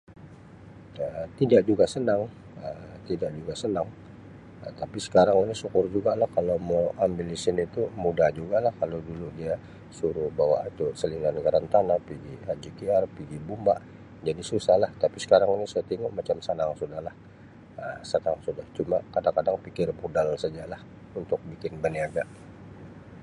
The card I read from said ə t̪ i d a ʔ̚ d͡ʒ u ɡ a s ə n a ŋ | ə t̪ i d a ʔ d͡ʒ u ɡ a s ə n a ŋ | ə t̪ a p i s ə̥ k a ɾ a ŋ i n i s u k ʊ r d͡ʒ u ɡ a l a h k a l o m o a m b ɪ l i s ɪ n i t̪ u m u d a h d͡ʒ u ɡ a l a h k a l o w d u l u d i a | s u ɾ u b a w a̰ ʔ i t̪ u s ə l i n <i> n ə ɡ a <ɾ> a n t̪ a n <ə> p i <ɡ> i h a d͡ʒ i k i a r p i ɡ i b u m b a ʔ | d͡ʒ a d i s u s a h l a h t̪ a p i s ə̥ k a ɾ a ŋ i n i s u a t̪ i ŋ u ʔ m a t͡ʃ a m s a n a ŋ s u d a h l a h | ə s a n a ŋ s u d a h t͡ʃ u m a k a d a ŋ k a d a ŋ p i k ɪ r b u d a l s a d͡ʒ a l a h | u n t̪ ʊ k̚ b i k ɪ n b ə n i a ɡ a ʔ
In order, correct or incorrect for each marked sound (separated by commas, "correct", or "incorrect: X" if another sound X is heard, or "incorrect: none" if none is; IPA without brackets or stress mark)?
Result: incorrect: a, correct, incorrect: a, correct